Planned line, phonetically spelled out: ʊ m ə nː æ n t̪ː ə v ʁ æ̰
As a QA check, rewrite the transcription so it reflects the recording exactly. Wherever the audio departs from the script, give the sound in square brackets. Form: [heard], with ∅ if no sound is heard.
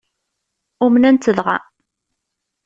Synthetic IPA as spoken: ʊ m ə [n] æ n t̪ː ə [ð] ʁ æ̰